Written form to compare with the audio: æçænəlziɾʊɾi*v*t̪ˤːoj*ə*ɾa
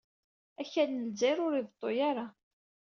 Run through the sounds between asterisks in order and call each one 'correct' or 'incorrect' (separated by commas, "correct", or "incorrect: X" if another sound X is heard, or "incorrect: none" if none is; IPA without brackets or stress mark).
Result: correct, incorrect: a